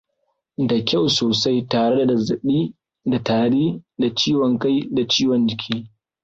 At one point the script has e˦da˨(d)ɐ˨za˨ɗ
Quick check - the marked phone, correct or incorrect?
correct